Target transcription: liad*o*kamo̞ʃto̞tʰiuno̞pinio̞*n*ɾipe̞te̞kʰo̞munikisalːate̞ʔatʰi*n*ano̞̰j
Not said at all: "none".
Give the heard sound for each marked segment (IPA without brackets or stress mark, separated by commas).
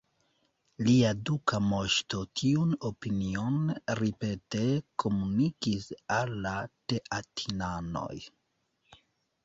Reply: u, n, n